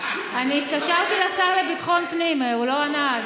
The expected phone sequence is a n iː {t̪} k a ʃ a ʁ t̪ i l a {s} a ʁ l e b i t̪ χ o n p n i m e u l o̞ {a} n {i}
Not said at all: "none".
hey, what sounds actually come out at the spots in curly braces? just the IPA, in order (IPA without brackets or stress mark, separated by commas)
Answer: t̪, s, a, a